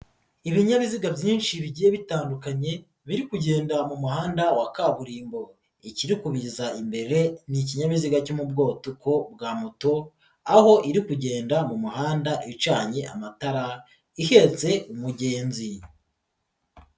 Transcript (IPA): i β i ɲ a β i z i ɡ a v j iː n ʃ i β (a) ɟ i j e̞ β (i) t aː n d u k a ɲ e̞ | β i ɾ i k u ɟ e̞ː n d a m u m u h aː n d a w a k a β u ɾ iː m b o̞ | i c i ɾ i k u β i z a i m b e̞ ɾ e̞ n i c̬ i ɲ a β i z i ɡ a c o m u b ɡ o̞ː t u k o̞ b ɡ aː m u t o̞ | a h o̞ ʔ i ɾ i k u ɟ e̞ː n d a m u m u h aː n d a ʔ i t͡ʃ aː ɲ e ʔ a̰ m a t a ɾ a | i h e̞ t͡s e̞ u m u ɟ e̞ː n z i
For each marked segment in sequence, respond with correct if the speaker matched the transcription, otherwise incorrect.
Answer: incorrect: i, correct

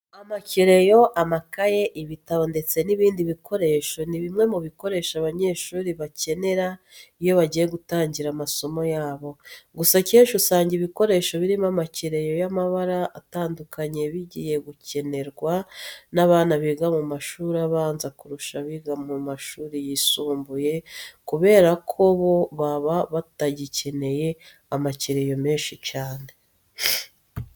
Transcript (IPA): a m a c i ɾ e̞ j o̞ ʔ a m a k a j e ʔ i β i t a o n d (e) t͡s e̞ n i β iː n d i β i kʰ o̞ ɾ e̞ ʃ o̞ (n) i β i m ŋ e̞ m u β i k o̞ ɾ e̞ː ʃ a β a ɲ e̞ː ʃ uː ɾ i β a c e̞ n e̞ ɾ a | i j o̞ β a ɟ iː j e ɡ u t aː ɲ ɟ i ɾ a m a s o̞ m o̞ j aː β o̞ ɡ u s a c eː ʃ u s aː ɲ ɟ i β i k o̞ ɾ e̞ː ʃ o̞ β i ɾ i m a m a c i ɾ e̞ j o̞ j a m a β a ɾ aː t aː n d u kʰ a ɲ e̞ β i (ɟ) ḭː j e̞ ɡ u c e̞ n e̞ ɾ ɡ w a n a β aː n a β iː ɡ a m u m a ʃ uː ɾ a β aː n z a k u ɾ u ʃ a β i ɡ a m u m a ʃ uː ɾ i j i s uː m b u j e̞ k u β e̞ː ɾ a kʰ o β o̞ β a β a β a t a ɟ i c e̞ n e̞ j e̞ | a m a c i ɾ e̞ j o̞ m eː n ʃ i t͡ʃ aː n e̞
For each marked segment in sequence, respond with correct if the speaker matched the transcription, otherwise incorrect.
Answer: correct, correct, correct

